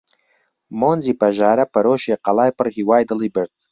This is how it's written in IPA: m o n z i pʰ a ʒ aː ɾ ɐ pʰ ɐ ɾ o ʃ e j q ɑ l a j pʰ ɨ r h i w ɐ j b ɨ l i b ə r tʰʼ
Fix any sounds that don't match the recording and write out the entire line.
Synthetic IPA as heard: m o n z i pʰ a ʒ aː ɾ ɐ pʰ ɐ ɾ o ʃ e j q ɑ l a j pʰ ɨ r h i w a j d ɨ l i b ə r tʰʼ